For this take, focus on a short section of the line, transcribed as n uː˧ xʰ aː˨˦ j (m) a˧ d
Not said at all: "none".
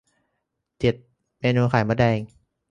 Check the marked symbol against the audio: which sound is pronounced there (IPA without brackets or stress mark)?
m